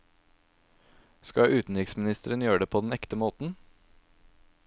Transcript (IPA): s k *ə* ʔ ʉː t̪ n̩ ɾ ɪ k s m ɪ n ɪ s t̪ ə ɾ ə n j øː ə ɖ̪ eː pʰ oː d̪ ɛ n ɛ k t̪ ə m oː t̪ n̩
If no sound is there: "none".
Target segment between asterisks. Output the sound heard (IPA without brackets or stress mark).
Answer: ɑ